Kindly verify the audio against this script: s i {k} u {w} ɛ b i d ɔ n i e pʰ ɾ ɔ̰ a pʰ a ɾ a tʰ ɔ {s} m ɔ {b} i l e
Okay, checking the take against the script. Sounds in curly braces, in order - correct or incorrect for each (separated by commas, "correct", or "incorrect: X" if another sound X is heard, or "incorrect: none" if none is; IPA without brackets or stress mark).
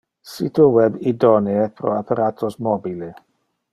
incorrect: t, correct, correct, correct